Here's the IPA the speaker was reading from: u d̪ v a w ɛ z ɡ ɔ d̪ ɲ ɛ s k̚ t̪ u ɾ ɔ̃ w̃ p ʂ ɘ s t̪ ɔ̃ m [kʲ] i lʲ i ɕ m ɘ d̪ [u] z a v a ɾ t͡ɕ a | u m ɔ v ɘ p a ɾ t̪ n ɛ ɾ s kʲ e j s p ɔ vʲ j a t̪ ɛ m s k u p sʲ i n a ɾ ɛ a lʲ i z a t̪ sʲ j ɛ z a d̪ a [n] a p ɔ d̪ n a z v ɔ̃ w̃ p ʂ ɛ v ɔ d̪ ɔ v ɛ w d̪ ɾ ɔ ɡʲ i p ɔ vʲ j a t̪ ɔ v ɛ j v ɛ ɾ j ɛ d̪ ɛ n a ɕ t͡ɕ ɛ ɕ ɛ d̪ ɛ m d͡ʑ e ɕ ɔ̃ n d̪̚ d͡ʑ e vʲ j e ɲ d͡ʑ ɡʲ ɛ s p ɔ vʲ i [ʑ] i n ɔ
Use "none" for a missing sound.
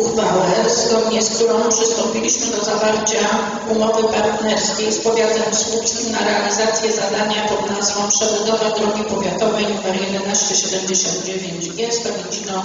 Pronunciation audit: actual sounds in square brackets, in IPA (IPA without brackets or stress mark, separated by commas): pʲ, ɔ, ɲ, d͡ʑ